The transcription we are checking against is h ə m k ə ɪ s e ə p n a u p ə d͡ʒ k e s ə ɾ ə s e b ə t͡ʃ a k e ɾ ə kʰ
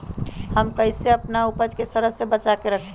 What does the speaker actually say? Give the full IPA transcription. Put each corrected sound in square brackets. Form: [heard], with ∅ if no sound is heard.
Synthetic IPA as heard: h ə m k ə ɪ s e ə p n a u p ə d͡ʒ k e s ə ɾ ə s e b ə t͡ʃ a k e ɾ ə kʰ